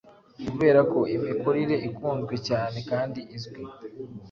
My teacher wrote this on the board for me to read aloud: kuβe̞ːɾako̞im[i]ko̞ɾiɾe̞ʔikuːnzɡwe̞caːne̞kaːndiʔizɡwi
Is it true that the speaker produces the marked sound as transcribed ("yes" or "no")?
yes